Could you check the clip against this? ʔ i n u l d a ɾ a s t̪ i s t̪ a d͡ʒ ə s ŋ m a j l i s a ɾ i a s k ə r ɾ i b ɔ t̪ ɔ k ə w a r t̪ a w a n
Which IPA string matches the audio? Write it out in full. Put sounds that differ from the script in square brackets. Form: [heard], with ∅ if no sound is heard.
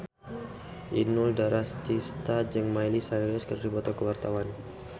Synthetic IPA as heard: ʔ i n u l d a ɾ a s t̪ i s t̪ a d͡ʒ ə [∅] ŋ m a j l i s a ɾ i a s k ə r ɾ i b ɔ t̪ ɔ k ə w a r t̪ a w a n